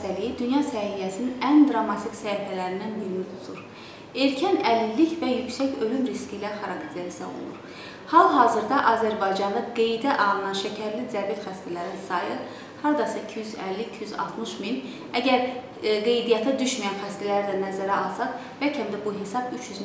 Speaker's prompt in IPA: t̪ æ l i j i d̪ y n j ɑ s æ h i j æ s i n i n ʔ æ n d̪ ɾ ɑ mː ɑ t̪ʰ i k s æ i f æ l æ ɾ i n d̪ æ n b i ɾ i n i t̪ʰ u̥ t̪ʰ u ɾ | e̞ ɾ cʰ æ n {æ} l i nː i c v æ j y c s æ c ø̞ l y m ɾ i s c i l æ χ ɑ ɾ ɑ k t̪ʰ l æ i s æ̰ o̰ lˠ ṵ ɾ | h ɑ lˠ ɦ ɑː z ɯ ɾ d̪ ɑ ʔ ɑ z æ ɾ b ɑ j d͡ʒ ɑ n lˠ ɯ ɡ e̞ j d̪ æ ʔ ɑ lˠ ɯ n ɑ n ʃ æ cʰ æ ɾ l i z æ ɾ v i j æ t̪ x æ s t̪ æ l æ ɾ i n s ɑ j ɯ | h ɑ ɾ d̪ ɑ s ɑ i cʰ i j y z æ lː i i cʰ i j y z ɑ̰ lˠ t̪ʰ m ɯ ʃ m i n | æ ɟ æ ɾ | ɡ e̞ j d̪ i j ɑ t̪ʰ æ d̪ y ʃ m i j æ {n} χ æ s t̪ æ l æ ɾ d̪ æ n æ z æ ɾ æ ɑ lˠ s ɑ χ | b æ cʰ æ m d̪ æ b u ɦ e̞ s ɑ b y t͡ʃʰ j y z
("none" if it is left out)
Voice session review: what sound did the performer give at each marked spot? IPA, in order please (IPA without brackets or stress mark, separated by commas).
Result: æ, n